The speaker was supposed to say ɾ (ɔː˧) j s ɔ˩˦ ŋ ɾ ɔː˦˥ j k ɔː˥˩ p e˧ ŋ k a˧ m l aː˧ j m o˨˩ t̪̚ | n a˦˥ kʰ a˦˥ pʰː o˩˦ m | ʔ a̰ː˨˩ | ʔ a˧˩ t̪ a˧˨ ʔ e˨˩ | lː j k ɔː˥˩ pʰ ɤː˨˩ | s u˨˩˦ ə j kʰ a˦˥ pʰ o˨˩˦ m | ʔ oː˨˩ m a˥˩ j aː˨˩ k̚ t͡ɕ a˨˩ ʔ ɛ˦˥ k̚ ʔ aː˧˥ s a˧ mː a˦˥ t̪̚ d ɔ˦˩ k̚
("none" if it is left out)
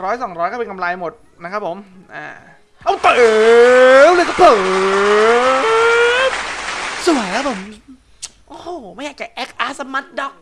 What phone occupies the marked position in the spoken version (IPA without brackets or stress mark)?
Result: ɔː˦˥